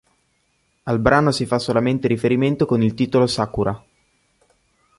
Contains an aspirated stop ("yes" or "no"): no